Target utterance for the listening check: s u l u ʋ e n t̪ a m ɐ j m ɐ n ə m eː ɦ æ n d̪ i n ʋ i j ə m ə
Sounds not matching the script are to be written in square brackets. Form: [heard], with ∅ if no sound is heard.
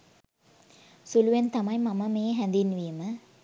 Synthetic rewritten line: s u l u ʋ e n t̪ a m ɐ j m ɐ [m] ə m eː ɦ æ n d̪ i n ʋ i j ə m ə

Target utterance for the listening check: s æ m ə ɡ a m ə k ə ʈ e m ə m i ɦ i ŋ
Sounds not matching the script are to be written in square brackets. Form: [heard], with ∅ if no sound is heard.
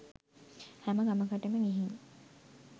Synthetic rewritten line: [h] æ m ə ɡ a m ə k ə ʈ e m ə [ŋ] i ɦ i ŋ

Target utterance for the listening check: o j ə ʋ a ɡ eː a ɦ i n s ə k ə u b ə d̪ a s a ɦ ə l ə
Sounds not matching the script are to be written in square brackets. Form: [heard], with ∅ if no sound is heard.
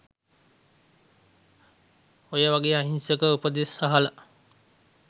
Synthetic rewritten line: o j ə ʋ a ɡ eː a ɦ i n s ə k ə u [p] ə d̪ [e] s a ɦ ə l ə

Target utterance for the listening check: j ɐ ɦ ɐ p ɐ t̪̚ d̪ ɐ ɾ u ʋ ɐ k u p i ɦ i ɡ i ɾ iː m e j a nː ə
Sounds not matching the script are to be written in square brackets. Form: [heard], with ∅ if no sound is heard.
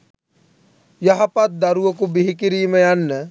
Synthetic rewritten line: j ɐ ɦ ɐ p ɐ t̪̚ d̪ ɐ ɾ u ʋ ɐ k u [b] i ɦ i [k] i ɾ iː m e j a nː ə

